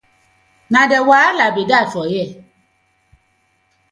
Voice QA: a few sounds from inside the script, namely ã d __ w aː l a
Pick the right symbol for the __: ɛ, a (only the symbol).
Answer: ɛ